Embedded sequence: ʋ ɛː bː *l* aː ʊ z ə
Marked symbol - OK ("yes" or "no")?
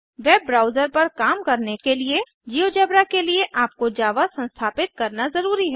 no